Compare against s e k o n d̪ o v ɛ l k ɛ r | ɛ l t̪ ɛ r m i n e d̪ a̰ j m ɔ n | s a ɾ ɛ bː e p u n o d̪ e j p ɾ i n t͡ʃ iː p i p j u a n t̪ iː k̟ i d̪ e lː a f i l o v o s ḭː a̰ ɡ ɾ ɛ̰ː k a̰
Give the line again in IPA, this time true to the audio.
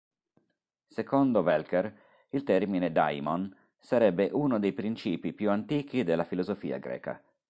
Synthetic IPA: s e k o n d̪ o v ɛ l k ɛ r | i l t̪ ɛ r m i n e d̪ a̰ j m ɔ n | s a ɾ ɛ bː e ʔ u n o d̪ e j p ɾ i n t͡ʃ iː p i p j u a n t̪ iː k̟ i d̪ e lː a f i l o z o f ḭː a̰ ɡ ɾ ɛ̰ː k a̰